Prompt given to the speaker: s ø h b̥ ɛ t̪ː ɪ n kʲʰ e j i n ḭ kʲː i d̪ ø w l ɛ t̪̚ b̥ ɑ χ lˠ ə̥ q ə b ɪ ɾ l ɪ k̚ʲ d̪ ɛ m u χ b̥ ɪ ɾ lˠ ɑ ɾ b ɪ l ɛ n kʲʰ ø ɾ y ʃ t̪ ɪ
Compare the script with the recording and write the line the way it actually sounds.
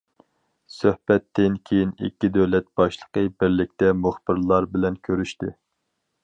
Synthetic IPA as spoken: s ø h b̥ ɛ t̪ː ɪ n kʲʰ e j i n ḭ kʲː i d̪ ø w l ɛ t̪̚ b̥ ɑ ʃ lˠ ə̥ q ə b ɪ ɾ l ɪ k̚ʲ t̪ ɛ m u χ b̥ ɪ ɾ lˠ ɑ ɾ b ɪ l ɛ n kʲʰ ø ɾ y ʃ t̪ ɪ